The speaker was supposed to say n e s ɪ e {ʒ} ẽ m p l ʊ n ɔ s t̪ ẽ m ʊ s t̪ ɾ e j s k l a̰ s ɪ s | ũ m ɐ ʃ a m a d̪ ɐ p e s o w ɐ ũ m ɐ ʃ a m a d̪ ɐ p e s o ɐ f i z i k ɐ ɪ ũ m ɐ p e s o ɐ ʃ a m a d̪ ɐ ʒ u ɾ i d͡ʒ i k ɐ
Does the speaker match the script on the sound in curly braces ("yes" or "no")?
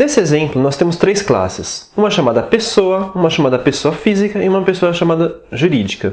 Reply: no